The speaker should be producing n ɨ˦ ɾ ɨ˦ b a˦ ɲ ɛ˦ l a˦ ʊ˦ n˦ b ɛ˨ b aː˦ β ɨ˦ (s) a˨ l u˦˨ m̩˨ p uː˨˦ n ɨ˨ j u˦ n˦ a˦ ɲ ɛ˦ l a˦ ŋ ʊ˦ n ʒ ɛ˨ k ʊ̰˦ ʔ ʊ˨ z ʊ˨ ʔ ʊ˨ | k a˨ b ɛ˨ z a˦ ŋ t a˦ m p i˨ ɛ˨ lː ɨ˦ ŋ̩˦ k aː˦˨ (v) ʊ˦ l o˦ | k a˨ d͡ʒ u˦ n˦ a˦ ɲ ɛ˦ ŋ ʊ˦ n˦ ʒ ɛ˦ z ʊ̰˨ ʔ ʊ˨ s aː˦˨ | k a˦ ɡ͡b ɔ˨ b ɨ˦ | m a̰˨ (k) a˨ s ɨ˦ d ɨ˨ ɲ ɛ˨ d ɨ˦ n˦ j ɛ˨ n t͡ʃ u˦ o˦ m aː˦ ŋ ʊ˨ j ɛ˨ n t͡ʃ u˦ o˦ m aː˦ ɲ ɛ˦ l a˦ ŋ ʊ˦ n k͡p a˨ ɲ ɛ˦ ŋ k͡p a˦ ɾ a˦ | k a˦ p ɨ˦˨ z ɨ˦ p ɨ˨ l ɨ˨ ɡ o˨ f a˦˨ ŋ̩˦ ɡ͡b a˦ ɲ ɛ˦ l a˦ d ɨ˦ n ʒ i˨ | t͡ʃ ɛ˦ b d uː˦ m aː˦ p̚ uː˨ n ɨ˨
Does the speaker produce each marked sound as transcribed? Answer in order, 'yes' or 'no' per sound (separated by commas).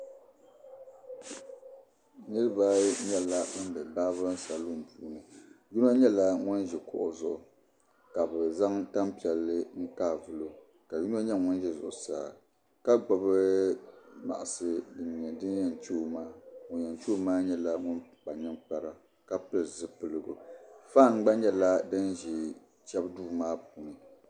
yes, yes, no